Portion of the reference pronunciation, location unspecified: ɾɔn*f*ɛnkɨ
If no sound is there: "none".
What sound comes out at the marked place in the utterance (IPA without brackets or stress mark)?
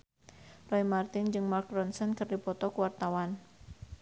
s